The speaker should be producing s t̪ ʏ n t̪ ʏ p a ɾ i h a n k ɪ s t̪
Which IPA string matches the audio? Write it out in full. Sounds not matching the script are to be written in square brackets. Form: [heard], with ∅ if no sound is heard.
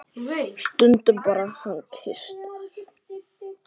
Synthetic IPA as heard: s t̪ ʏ n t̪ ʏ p a ɾ [a] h a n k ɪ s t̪